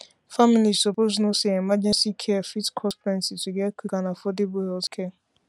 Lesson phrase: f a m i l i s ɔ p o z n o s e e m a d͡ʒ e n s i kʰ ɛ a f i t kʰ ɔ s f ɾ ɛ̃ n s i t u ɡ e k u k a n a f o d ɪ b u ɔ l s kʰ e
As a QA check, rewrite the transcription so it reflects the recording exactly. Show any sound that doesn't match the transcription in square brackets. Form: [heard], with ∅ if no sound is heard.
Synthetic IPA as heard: f a m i l i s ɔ p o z n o s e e m a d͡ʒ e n s i kʰ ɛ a f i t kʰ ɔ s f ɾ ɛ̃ n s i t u ɡ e k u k a n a f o d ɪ b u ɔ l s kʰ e